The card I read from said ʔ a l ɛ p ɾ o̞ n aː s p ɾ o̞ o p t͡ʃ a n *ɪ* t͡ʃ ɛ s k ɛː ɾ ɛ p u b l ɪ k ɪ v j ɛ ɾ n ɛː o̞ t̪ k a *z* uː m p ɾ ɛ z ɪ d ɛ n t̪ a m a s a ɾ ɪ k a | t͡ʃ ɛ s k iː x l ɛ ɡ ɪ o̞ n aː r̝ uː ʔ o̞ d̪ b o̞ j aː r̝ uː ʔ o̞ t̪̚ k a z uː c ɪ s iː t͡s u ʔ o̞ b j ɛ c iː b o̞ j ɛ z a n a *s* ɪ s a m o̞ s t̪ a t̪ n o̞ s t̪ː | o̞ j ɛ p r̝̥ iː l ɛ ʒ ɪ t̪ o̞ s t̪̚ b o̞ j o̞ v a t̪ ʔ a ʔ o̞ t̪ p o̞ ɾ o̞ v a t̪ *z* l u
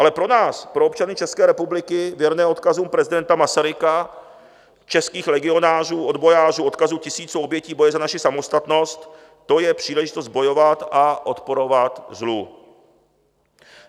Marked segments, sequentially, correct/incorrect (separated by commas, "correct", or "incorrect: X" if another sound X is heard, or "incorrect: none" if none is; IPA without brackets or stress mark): correct, correct, incorrect: ʃ, correct